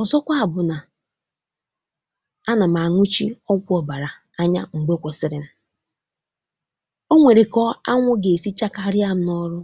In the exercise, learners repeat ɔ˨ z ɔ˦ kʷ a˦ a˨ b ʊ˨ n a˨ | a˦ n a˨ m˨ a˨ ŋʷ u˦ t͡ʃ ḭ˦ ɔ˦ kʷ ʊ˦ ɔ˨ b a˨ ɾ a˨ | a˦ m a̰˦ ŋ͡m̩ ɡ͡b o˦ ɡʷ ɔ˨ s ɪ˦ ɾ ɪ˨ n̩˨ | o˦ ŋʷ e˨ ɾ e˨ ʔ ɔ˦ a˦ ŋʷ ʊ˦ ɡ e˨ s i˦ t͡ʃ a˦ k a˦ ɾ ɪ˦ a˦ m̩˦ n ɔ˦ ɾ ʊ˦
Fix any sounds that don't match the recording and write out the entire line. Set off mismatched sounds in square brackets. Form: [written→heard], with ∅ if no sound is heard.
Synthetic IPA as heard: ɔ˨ z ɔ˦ kʷ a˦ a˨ b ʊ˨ n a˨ | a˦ n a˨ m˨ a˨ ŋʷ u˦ t͡ʃ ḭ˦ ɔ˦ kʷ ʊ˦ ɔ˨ b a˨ ɾ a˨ | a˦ [m→ɲ] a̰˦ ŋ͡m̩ ɡ͡b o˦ [ɡʷ→kʷ] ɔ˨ s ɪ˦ ɾ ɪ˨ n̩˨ | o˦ ŋʷ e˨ ɾ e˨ [ʔ→k] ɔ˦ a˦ ŋʷ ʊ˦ ɡ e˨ s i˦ t͡ʃ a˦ k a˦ ɾ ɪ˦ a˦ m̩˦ n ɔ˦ ɾ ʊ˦